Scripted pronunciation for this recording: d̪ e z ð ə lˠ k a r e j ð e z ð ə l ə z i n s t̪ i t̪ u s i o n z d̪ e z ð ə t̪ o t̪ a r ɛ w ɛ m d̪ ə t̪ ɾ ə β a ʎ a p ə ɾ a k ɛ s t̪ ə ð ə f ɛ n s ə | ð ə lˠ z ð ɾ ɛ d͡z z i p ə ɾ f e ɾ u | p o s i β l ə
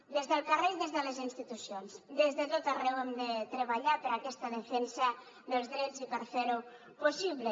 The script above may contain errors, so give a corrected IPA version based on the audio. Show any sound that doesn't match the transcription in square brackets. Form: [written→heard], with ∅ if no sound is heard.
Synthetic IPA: d̪ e z ð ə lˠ k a r e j ð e z ð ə l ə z i n s t̪ i t̪ u s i o n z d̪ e z ð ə t̪ o t̪ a r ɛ w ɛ m d̪ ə t̪ ɾ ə β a ʎ a p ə ɾ a k ɛ s t̪ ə ð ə f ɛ n s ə | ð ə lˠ z ð ɾ ɛ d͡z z i p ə ɾ f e ɾ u | p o s i β l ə